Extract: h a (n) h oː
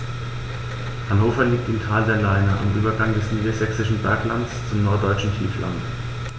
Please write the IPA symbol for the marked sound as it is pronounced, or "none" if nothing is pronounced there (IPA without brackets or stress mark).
n